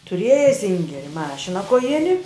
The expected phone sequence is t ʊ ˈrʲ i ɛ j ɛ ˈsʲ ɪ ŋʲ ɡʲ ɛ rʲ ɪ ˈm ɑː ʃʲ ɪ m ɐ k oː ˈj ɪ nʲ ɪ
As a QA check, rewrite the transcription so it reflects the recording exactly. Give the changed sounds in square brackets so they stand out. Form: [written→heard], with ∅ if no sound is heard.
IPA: t ʊ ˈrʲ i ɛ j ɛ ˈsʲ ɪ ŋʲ ɡʲ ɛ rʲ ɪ ˈm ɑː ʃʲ ɪ [m→n] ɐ k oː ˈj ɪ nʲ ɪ